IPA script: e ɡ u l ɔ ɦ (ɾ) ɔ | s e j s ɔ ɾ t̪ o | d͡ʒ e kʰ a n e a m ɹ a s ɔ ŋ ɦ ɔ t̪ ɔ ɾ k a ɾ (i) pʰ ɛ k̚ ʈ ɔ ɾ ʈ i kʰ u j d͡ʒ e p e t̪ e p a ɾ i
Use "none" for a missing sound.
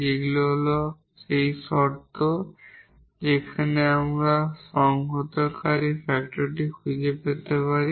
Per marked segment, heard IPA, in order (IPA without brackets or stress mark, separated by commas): l, i